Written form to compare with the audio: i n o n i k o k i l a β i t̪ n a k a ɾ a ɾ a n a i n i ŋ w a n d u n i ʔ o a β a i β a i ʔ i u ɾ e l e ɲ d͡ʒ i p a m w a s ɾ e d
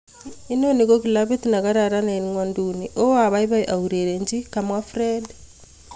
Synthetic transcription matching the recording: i n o n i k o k i l a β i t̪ n a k a ɾ a ɾ a n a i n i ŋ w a n d u n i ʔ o a β a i β a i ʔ a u ɾ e ɾ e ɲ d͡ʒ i k a m w a f ɾ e d